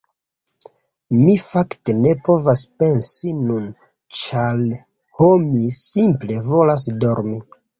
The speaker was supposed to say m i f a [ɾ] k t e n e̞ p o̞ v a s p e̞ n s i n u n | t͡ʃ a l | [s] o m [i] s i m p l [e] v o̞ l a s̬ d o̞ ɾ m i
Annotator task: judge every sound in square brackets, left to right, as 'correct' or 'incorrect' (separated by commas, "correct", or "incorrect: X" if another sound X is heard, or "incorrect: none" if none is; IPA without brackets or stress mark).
incorrect: none, incorrect: h, correct, correct